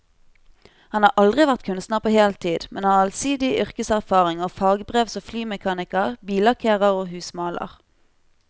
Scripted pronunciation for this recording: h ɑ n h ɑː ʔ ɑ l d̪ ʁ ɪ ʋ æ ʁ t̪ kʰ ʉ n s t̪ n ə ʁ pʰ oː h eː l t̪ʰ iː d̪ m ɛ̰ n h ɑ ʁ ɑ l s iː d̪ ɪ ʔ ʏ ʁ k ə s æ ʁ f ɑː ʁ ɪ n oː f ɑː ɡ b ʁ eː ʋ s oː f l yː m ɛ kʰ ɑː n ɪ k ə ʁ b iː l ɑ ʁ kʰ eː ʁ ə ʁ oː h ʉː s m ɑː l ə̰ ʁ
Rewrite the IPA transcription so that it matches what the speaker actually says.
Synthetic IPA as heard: h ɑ n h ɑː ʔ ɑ l d̪ ʁ ɪ ʋ æ ʁ t̪ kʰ ʉ n s t̪ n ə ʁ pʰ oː h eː l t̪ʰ iː d̪ m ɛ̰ n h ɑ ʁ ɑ l s iː d̪ ɪ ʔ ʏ ʁ k ə s æ ʁ f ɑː ʁ ɪ ŋ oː f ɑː ɡ b ʁ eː ʋ s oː f l yː m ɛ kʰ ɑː n ɪ k ə ʁ b iː l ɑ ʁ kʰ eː ʁ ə ʁ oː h ʉː s m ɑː l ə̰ ʁ